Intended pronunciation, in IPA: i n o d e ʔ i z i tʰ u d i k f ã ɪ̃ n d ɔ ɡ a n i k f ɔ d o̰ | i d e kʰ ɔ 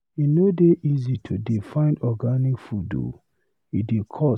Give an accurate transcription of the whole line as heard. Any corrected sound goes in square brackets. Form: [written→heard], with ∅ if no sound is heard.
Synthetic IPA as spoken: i n o d e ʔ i z i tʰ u d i [k→∅] f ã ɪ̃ n d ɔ ɡ a n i k f [ɔ→u] d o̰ | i d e kʰ ɔ

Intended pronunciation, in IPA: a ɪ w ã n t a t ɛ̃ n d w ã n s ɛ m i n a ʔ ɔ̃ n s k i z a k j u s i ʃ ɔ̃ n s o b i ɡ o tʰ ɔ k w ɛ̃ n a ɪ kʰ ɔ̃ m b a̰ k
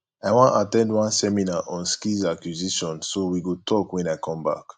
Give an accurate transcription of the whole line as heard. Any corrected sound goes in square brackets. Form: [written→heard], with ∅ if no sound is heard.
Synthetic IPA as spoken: a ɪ w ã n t a t ɛ̃ n d w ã n s ɛ m i n a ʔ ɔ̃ n s k i z a k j u [s→z] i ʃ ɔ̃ n s o [b→w] i ɡ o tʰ ɔ k w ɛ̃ n a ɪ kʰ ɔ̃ m b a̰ k

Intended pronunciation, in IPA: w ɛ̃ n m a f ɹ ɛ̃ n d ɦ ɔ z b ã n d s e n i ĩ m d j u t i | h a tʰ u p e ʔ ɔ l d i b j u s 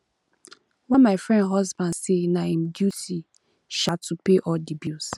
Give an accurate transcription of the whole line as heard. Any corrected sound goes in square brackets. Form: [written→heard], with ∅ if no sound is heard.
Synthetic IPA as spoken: w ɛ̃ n m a f ɹ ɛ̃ n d ɦ ɔ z b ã n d s e n [i→a] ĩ m d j u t i | [h→ʃ] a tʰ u p e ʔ ɔ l d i b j u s

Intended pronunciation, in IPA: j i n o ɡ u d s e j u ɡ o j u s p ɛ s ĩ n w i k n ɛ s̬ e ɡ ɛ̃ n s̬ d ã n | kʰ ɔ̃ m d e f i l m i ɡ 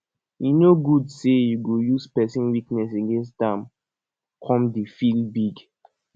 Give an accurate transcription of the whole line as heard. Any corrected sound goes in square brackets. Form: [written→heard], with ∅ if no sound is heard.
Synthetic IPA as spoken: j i n o ɡ u d s e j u ɡ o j u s p ɛ s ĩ n w i k n ɛ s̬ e ɡ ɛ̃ n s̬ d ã [n→m] | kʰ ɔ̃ m d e f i l [m→b] i ɡ

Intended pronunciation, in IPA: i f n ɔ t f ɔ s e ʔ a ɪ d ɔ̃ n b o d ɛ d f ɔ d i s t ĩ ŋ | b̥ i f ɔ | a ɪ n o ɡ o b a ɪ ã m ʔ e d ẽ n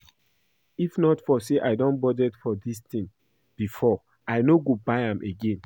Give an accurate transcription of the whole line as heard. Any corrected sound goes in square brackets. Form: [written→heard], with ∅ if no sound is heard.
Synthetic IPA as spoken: i f n ɔ t f ɔ s e ʔ a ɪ d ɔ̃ n b [o→ɔ] d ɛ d f ɔ d i s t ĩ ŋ | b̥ i f ɔ | a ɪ n o ɡ o b a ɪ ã m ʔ e [d→ɡ] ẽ n

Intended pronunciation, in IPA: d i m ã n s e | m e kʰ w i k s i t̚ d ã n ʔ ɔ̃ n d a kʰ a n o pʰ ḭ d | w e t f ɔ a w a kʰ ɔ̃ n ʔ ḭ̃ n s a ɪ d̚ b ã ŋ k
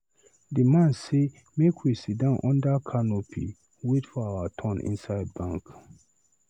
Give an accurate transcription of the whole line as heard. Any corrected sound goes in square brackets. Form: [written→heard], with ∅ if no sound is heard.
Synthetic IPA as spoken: d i m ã n s e | m e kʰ w i [k→∅] s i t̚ d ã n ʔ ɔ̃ n d a kʰ a n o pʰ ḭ [d→∅] | w e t f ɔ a w a [kʰ→tʰ] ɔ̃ n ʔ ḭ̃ n s a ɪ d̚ b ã ŋ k

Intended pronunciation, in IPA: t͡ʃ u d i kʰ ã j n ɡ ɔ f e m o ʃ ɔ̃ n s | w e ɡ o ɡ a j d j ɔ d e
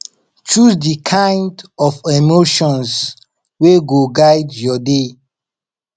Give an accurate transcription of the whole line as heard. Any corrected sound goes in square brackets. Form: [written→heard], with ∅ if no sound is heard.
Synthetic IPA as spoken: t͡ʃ u d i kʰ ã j n [ɡ→d] ɔ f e m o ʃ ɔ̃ n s | w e ɡ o ɡ a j d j ɔ d e

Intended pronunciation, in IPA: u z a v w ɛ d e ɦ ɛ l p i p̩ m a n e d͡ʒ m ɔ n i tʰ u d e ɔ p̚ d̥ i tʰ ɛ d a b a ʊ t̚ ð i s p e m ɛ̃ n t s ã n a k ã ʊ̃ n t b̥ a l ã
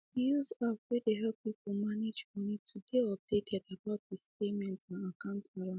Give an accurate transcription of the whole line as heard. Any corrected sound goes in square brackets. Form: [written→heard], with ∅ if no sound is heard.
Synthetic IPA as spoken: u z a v w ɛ d e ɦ ɛ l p i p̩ m a n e d͡ʒ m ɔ n i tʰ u d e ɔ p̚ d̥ [i→e] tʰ ɛ d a b a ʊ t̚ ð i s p e m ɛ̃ n t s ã n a k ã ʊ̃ n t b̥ a l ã

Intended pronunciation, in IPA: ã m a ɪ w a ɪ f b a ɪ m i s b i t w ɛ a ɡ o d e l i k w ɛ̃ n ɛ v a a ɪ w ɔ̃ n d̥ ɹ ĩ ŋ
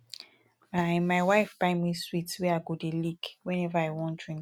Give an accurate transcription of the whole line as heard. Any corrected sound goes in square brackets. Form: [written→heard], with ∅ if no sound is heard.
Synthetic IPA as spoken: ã m a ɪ w a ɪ f b a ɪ m i s [b→w] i t w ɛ a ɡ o d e l i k w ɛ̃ n ɛ v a a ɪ w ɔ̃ n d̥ ɹ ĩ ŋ

